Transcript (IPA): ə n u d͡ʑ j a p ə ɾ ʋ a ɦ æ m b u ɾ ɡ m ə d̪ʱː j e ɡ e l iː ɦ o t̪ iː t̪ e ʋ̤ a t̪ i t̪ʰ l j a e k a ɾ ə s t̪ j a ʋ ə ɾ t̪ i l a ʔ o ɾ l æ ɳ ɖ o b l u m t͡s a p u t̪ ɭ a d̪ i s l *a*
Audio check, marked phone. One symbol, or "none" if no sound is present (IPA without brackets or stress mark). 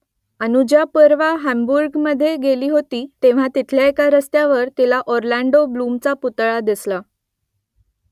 a